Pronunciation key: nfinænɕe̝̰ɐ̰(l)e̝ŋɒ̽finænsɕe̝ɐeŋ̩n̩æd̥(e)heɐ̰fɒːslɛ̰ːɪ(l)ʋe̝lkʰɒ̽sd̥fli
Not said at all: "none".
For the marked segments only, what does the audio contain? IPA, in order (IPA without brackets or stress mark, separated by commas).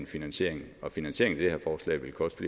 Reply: none, e, none